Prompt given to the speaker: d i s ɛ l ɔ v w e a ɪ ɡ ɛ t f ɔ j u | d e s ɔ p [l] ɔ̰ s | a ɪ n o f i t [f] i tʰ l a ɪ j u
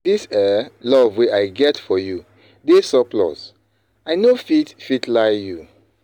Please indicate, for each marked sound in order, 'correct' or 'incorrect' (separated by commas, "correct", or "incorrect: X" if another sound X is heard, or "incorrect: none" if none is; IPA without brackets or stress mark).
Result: correct, correct